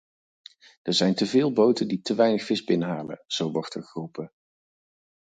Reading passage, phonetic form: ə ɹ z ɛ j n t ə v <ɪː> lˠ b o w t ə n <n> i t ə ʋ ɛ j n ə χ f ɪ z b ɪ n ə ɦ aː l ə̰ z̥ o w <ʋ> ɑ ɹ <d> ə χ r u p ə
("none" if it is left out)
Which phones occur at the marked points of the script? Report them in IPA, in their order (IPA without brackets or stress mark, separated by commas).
ɪː, d, ʋ, t